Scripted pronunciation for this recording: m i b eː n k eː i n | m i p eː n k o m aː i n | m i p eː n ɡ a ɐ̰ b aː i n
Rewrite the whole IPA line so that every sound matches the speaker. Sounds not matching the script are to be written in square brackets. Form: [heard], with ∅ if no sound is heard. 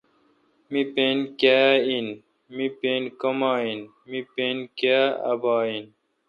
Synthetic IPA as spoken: m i [p] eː n k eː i n | m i p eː n k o m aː i n | m i p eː n [k] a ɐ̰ b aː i n